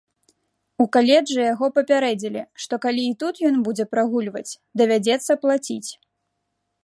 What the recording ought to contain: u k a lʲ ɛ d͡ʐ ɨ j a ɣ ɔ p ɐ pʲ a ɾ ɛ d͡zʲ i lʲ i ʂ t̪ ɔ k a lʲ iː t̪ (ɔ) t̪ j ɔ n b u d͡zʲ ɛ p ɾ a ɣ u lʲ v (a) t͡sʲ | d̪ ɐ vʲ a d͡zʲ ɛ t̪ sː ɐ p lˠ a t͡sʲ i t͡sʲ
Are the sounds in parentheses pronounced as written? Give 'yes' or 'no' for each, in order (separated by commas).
no, no